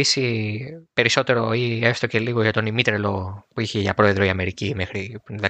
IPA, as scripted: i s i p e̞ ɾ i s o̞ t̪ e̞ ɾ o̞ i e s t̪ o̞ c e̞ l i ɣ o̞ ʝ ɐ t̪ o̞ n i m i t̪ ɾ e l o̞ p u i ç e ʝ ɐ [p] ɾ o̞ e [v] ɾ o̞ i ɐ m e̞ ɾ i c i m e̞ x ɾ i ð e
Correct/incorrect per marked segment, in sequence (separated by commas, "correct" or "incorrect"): correct, incorrect